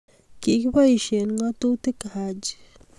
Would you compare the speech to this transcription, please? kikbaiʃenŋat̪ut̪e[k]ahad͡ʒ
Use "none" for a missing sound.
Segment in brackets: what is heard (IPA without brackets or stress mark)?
k